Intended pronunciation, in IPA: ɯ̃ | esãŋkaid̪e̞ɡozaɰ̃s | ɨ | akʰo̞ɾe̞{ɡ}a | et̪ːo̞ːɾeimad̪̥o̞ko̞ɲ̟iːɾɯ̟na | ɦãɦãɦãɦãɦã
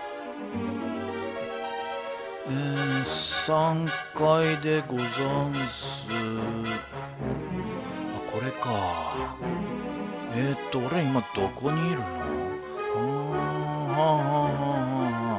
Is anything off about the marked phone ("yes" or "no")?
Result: yes